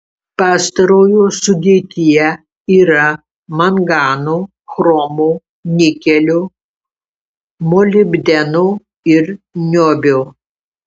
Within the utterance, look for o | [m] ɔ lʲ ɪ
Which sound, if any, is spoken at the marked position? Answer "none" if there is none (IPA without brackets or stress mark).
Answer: m